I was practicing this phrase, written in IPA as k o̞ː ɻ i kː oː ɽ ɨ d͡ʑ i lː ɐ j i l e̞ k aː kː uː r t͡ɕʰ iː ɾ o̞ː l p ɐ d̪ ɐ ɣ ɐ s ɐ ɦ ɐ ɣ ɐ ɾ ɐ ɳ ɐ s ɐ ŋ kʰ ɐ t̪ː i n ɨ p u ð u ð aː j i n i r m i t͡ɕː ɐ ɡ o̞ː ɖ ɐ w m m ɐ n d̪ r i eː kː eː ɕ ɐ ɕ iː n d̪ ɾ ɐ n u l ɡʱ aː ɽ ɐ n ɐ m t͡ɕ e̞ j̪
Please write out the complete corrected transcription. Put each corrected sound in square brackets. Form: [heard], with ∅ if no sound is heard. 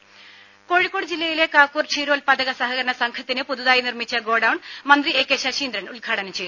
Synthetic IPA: k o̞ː ɻ i kː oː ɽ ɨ d͡ʑ i lː ɐ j i l e̞ k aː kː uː r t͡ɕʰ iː ɾ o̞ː l p ɐ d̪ ɐ ɣ ɐ s ɐ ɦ ɐ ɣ ɐ ɾ ɐ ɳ ɐ s ɐ ŋ kʰ ɐ t̪ː i n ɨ p u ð u ð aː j i n i r m i t͡ɕː ɐ ɡ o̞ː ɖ ɐ w [ɳ] m ɐ n d̪ r i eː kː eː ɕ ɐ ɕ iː n d̪ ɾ ɐ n u l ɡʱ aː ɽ ɐ n ɐ m t͡ɕ e̞ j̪